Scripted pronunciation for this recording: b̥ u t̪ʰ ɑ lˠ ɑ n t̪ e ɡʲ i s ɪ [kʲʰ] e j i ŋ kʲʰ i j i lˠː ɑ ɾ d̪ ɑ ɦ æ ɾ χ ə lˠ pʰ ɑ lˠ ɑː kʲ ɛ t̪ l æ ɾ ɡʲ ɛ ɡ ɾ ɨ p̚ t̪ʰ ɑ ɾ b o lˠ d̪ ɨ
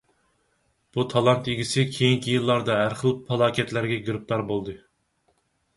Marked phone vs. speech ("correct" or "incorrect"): correct